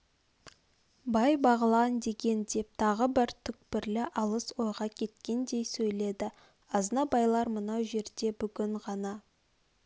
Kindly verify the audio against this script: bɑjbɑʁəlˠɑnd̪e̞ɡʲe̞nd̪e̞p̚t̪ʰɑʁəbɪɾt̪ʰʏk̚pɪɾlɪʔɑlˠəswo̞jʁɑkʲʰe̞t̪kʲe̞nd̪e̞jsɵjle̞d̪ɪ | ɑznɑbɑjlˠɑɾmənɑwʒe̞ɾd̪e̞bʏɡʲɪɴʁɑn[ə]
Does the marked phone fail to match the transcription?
yes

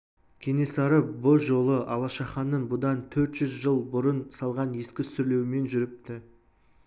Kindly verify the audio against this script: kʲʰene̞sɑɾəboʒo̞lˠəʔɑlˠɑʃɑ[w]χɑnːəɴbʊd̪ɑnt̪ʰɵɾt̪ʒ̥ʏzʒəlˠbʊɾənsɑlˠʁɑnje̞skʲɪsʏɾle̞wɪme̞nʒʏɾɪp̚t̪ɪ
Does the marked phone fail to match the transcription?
yes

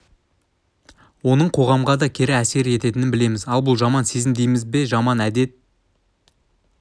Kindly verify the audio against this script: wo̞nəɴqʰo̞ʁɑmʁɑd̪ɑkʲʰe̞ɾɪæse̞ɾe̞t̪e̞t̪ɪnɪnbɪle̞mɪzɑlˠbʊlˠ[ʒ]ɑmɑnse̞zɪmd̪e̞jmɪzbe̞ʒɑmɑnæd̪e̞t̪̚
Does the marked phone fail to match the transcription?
no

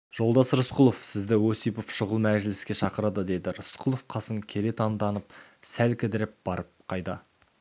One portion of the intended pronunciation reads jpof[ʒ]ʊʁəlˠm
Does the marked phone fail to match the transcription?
yes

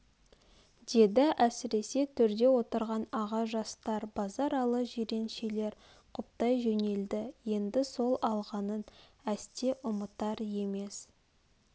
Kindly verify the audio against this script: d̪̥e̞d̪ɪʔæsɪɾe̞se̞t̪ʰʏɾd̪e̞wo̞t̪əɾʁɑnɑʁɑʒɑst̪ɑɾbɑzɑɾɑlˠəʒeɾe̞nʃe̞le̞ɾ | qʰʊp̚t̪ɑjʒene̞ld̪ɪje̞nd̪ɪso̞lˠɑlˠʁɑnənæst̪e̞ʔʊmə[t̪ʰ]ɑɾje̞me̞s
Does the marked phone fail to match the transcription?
yes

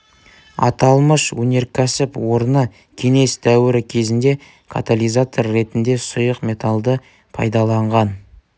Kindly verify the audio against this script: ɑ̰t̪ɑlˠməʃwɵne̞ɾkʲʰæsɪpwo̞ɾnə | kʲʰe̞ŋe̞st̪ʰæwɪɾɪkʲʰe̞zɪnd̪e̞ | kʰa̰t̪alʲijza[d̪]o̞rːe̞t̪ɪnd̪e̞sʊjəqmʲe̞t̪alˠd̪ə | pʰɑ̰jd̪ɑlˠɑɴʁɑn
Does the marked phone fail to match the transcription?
yes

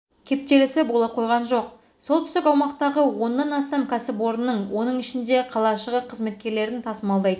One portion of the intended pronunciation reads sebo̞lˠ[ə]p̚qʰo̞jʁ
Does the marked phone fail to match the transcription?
yes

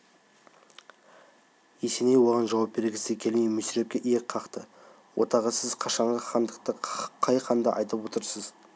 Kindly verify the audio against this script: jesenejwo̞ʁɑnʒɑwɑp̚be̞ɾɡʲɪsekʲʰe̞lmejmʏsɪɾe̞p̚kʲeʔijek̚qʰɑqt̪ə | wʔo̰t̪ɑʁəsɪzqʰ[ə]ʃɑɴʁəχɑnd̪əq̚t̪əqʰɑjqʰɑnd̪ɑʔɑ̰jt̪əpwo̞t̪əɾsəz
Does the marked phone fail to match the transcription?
yes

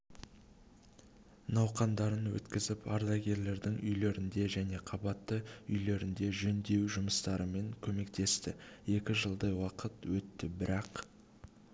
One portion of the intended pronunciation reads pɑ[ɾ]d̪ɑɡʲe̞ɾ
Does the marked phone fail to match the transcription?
no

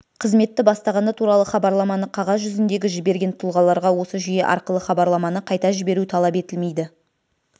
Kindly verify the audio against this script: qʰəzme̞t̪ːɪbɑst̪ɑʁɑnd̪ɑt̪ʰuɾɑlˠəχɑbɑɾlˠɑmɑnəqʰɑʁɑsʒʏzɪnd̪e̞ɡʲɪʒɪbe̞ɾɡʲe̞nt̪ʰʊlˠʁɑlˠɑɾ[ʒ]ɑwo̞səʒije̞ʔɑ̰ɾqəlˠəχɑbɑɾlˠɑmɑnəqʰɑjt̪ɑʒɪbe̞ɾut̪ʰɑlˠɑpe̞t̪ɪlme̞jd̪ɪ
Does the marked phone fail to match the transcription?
yes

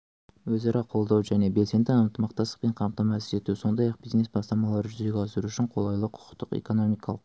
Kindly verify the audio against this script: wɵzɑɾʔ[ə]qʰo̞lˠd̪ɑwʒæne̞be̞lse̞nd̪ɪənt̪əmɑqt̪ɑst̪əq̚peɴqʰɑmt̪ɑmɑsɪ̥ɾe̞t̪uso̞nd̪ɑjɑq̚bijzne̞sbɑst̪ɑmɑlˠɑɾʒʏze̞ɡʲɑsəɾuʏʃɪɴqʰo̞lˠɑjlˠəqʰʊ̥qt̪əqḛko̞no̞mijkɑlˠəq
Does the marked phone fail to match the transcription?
yes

